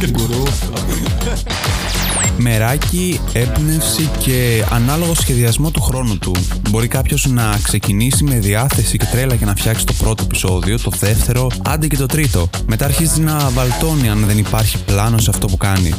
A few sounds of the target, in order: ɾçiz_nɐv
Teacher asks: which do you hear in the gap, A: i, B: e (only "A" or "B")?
A